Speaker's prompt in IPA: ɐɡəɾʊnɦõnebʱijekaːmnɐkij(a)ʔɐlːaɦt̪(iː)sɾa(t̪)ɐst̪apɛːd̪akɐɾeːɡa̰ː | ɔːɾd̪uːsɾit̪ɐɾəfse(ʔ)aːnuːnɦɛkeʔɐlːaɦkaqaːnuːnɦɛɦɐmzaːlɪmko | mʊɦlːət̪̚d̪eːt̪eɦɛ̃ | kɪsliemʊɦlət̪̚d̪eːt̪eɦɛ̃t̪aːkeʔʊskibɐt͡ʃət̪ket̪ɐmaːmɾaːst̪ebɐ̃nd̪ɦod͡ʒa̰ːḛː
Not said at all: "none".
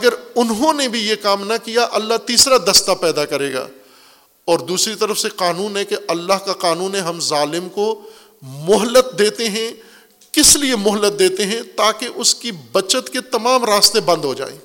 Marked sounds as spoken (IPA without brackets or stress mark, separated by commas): a, iː, d̪, q